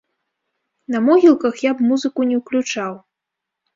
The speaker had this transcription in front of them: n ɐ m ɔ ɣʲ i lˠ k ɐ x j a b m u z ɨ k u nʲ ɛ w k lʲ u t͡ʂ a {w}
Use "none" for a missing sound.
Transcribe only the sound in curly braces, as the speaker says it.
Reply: w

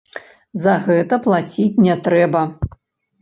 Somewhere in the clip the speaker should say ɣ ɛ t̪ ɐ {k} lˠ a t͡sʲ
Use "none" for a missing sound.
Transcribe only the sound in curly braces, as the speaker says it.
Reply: p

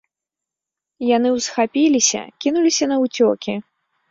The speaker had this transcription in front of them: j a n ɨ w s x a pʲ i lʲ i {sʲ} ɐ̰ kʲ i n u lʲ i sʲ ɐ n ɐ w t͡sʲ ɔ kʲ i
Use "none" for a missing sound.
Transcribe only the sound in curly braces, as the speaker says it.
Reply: sʲ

